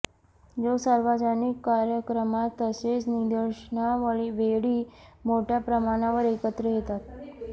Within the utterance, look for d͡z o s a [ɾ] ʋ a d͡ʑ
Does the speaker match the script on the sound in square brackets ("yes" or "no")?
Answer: yes